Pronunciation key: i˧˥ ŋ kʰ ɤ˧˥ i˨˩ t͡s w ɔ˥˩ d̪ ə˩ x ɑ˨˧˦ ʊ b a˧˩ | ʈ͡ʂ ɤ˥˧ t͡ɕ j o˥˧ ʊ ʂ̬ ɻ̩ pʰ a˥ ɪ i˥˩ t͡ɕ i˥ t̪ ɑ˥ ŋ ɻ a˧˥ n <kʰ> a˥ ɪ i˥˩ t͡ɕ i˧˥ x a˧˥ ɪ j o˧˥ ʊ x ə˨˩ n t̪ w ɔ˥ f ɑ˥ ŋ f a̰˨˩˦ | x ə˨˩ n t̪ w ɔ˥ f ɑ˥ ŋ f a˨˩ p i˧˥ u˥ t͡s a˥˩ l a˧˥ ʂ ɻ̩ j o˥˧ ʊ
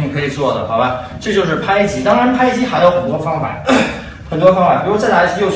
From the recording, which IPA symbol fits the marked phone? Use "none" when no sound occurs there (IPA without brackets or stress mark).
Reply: pʰ